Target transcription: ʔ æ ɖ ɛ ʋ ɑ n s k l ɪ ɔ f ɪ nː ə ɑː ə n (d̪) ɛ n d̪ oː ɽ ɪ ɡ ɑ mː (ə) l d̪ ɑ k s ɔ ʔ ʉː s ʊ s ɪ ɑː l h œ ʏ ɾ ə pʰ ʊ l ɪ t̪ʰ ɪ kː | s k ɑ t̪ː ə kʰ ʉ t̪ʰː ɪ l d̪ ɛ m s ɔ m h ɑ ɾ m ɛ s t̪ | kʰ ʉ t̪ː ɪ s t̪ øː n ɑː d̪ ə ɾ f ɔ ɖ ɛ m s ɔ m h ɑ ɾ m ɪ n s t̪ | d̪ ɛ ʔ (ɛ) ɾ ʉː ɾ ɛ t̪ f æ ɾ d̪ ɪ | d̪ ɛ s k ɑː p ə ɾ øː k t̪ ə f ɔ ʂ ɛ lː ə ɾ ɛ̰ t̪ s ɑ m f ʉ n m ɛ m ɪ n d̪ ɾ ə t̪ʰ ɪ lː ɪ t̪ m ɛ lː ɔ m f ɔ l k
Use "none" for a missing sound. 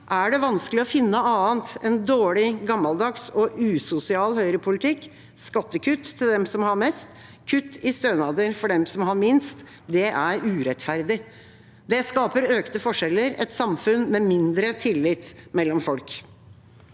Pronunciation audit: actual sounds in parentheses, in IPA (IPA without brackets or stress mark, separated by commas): t̪, ɑ, æ